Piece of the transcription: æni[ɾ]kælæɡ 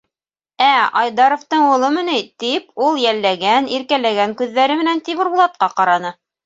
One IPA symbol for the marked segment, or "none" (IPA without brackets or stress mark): ɾ